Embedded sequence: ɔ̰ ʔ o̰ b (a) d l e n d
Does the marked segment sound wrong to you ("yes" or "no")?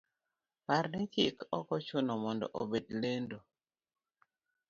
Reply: yes